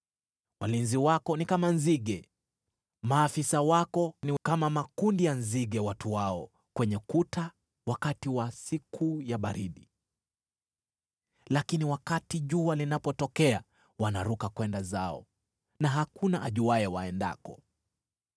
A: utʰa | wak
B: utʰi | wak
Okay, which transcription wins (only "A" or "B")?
A